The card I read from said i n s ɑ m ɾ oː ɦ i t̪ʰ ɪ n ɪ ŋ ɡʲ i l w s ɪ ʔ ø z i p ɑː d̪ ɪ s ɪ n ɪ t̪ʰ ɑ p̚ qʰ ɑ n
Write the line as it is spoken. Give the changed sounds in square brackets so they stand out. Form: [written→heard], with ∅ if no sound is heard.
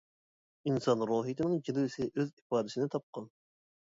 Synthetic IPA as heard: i n s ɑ [m→n] ɾ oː ɦ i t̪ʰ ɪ n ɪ ŋ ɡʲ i l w s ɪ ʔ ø z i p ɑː d̪ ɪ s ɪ n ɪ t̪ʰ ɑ p̚ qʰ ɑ n